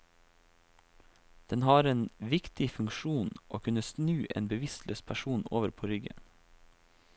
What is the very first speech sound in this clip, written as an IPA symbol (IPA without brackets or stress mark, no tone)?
d̪̥